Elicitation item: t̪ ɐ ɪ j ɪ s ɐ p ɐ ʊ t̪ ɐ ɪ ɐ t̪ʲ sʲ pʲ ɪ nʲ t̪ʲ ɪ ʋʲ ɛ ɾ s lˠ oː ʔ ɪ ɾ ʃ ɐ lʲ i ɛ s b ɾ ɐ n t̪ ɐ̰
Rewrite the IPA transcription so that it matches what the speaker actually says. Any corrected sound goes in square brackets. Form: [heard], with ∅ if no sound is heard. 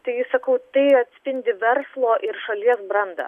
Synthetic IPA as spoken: t̪ ɐ ɪ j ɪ s ɐ [k] ɐ ʊ t̪ ɐ ɪ ɐ t̪ʲ sʲ pʲ ɪ nʲ [d̪ʲ] ɪ ʋʲ ɛ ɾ s lˠ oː ʔ ɪ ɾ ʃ ɐ lʲ i ɛ s b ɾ ɐ n [d̪] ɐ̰

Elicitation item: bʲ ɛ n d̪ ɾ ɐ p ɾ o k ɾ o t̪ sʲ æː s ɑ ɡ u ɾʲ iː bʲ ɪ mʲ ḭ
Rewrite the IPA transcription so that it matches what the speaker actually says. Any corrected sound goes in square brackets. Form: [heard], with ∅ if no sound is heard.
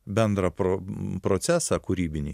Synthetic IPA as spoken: bʲ ɛ n d̪ ɾ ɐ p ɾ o [p] ɾ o t̪ sʲ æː s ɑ [k] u ɾʲ iː bʲ ɪ [nʲ] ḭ

